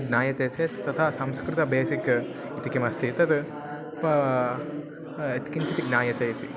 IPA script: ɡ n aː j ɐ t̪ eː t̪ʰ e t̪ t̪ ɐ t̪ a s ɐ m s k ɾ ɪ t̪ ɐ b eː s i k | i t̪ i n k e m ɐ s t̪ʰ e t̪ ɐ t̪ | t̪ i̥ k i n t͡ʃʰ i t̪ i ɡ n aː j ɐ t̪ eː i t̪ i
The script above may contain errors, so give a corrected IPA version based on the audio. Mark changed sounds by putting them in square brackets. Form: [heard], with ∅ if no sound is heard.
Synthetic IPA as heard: ɡ n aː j ɐ t̪ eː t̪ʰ e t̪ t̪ ɐ [t̪ʰ] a s ɐ m s k ɾ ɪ t̪ ɐ b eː s i k | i t̪ i [∅] k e m ɐ s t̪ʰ [i] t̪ ɐ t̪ | t̪ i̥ k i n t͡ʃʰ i t̪ i ɡ n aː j ɐ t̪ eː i t̪ i

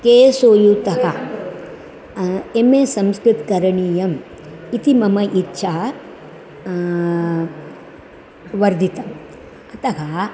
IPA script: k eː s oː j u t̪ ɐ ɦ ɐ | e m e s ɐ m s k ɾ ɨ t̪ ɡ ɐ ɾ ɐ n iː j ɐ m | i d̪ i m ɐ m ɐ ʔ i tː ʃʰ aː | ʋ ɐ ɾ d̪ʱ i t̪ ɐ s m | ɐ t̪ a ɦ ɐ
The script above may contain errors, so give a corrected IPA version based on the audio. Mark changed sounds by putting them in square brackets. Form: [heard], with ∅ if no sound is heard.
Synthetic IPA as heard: k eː s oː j u t̪ ɐ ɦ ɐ | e m e s ɐ m s k ɾ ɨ t̪ [k] ɐ ɾ ɐ [ɳ] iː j ɐ m | i [t̪] i m ɐ m ɐ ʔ i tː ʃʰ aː | ʋ ɐ ɾ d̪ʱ i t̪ ɐ [∅] m | ɐ t̪ [ɐ] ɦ ɐ

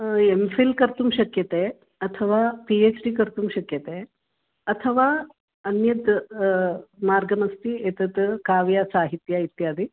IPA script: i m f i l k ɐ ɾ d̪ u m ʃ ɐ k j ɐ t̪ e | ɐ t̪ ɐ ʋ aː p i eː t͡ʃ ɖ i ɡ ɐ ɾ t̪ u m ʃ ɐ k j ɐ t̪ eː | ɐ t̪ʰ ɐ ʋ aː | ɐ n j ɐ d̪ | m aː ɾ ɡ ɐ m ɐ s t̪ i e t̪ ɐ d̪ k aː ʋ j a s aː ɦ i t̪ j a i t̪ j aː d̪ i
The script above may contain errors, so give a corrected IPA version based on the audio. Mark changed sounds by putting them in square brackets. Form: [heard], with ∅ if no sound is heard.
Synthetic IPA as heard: [e] m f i l k ɐ ɾ [t̪] u m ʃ ɐ k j ɐ t̪ e | ɐ [t̪ʰ] ɐ ʋ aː p i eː t͡ʃ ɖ i [k] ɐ ɾ t̪ u m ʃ ɐ k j ɐ t̪ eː | ɐ t̪ʰ ɐ ʋ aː | ɐ n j ɐ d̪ | m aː ɾ ɡ ɐ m ɐ s t̪ i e t̪ ɐ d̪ k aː ʋ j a s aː ɦ i t̪ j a i t̪ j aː d̪ i

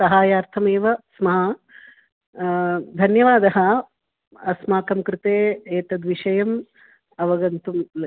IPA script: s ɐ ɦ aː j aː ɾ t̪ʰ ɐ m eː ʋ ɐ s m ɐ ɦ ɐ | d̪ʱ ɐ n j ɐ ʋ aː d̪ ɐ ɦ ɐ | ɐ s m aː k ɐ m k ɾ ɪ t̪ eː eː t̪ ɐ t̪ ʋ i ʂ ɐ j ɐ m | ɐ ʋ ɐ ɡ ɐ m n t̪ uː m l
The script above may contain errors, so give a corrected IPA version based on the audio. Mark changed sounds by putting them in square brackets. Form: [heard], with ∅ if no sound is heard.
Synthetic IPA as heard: s ɐ ɦ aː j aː ɾ t̪ʰ ɐ m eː ʋ ɐ s m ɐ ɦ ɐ | d̪ʱ ɐ n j ɐ ʋ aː d̪ ɐ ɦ ɐ | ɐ s m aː k ɐ m k ɾ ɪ t̪ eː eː t̪ ɐ [d̪] ʋ i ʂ ɐ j ɐ m | ɐ ʋ ɐ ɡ ɐ [∅] n t̪ [u] m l

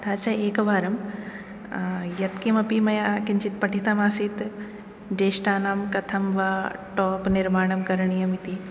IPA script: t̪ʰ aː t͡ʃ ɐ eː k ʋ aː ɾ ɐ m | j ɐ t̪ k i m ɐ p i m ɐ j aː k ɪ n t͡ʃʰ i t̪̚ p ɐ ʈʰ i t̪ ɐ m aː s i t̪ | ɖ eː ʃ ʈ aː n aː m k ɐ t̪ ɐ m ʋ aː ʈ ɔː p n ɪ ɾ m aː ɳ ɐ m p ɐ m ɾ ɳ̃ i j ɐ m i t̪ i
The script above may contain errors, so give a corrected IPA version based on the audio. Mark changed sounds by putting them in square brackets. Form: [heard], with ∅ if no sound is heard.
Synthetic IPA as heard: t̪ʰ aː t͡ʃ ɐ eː k ʋ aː ɾ ɐ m | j ɐ t̪ k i m ɐ p i m ɐ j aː k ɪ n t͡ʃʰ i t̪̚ p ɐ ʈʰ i t̪ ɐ m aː s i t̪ | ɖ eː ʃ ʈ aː n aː m k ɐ [t̪ʰ] ɐ m ʋ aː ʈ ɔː p n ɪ ɾ m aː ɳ ɐ m [k] ɐ [∅] ɾ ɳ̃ i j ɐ m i t̪ i

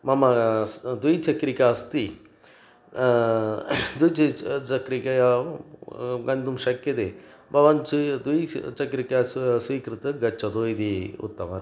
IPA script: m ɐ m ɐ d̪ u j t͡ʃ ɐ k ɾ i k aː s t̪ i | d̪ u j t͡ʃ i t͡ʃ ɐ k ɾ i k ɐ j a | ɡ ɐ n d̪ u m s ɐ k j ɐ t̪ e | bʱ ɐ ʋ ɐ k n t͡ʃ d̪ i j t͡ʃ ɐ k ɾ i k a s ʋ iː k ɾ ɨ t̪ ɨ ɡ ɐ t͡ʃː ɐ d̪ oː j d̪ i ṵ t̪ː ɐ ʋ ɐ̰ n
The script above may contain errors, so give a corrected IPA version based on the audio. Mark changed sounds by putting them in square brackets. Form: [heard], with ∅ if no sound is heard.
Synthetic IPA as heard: m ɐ m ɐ d̪ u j t͡ʃ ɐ k ɾ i k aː s t̪ i | d̪ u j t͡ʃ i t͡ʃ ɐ k ɾ i k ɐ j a | ɡ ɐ n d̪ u m [ʃ] ɐ k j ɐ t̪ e | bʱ ɐ ʋ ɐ [∅] n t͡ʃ d̪ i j t͡ʃ ɐ k ɾ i k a s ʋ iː k ɾ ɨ t̪ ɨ ɡ ɐ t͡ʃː ɐ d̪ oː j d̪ i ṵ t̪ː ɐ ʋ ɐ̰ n

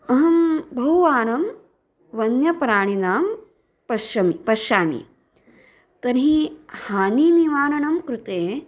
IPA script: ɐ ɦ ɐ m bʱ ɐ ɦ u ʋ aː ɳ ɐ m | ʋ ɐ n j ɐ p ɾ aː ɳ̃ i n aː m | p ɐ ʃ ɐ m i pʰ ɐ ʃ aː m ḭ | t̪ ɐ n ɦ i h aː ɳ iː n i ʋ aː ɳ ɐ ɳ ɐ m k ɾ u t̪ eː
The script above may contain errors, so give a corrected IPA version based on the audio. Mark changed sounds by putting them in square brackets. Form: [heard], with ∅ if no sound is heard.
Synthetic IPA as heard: ɐ ɦ ɐ m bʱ ɐ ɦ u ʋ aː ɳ ɐ m | ʋ ɐ n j ɐ p ɾ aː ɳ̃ i n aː m | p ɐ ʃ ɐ m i [p] ɐ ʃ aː m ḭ | t̪ ɐ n ɦ i h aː [n] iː n i ʋ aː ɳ ɐ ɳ ɐ m k ɾ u t̪ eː

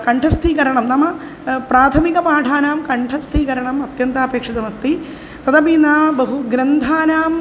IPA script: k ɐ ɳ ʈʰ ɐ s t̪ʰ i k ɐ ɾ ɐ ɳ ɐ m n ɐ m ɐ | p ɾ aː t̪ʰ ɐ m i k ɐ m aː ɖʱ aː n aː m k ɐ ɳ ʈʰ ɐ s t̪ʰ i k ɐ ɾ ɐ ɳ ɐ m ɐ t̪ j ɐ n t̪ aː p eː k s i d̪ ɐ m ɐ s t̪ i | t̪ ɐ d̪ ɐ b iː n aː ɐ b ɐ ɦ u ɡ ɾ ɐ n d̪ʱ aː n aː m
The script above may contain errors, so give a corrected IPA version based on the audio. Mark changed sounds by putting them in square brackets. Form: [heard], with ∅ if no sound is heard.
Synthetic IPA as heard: k ɐ ɳ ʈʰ ɐ s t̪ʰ i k ɐ ɾ ɐ ɳ ɐ m n ɐ m ɐ | p ɾ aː t̪ʰ ɐ m i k ɐ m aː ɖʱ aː n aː m k ɐ ɳ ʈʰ ɐ s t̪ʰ i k ɐ ɾ ɐ ɳ ɐ m ɐ t̪ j ɐ n t̪ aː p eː k [ʂ] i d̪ ɐ m ɐ s t̪ i | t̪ ɐ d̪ ɐ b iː n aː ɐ b ɐ ɦ u ɡ ɾ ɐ n d̪ʱ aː n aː m

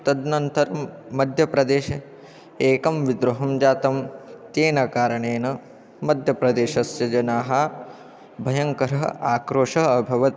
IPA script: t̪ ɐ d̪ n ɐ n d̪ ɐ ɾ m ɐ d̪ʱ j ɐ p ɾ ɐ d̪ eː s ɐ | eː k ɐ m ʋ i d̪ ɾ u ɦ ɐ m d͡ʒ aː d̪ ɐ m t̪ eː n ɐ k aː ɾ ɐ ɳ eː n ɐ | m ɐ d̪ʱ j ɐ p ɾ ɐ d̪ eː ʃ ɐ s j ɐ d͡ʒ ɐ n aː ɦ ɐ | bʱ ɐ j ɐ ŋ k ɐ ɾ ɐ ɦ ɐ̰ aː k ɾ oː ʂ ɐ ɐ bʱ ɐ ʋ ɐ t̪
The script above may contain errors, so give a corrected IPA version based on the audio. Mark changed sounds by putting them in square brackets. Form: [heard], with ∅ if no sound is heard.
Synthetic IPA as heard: t̪ ɐ d̪ n ɐ n [t̪] ɐ ɾ m ɐ d̪ʱ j ɐ p ɾ ɐ d̪ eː [ʃ] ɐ | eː k ɐ m ʋ i d̪ ɾ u ɦ ɐ m d͡ʒ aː [t̪] ɐ m t̪ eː n ɐ k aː ɾ ɐ ɳ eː n ɐ | m ɐ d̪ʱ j ɐ p ɾ ɐ d̪ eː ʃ ɐ s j ɐ d͡ʒ ɐ n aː ɦ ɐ | bʱ ɐ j ɐ ŋ k ɐ ɾ ɐ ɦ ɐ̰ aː k ɾ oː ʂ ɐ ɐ bʱ ɐ ʋ ɐ t̪

